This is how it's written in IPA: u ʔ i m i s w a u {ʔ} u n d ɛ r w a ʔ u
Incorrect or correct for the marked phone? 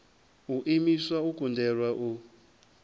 incorrect: k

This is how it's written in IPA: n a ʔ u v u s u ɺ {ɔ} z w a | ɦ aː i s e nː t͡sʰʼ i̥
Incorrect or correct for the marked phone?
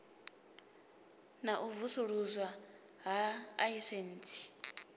incorrect: u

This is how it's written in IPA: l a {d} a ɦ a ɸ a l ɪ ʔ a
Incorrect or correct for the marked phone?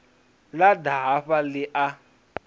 correct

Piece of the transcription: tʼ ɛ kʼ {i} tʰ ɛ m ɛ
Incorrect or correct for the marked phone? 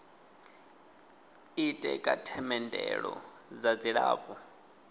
incorrect: a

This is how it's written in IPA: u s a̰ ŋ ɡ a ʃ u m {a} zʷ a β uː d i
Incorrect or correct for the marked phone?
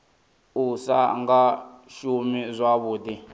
incorrect: i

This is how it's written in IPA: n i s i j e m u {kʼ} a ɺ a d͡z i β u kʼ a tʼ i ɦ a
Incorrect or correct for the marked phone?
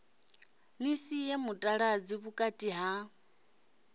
incorrect: tʼ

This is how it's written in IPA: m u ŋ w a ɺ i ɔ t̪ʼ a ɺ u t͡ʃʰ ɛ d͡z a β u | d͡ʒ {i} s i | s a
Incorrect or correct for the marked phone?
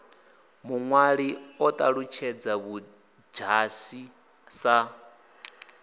incorrect: a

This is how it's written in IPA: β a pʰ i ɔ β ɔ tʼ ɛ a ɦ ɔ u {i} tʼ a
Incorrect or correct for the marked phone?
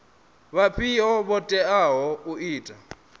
incorrect: iː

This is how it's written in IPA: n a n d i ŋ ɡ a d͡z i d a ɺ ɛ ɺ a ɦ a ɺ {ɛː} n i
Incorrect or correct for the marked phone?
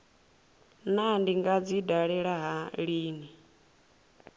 incorrect: iː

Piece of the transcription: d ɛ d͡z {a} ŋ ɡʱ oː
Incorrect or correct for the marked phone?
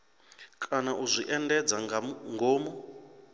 correct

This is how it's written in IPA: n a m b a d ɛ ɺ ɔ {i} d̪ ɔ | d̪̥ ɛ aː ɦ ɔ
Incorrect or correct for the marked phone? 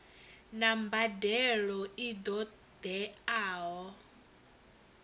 correct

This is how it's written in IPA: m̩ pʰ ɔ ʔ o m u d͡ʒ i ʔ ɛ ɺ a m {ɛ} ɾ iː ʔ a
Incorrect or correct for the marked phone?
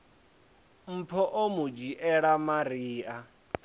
incorrect: a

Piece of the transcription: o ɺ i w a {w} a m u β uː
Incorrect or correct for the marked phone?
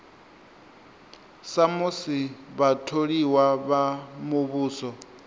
incorrect: β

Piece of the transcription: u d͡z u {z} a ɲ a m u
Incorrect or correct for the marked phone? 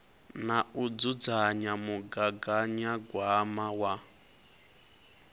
incorrect: d͡z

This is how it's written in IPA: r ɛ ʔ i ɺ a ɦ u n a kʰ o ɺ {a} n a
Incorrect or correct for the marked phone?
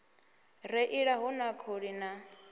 incorrect: i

